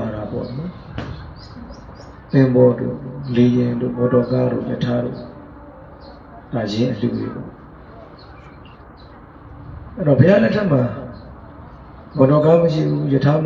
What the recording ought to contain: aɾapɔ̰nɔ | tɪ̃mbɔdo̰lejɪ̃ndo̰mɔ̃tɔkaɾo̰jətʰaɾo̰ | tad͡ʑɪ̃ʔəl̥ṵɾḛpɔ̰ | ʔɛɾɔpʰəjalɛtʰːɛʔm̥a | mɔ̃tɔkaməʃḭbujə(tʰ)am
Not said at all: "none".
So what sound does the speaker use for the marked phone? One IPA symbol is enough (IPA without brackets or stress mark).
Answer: tʰ